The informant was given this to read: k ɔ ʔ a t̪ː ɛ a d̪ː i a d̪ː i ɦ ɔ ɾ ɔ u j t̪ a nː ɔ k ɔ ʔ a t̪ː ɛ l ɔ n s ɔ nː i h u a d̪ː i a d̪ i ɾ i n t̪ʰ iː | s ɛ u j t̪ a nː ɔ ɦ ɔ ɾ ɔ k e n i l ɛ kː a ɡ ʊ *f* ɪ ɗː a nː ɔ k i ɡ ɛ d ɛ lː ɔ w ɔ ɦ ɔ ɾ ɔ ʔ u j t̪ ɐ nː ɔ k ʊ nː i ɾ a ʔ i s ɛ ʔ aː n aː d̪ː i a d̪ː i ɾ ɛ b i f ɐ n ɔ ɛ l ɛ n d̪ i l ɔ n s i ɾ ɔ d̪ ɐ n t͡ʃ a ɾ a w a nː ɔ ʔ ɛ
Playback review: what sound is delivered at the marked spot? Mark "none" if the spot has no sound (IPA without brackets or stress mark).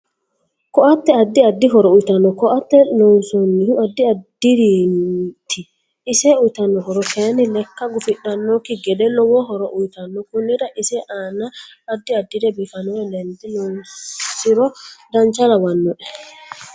f